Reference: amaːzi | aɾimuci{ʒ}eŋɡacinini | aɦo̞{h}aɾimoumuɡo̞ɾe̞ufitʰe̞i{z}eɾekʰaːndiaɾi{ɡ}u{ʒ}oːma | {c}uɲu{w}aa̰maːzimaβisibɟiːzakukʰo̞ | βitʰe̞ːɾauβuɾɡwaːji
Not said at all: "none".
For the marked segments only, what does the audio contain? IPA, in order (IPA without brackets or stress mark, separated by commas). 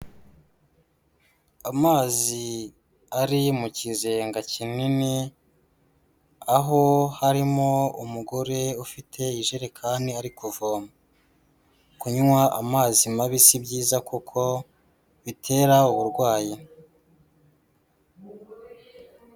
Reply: z, h, ʒ, k, v, k, w